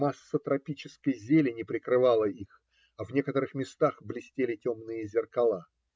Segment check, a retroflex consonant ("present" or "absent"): absent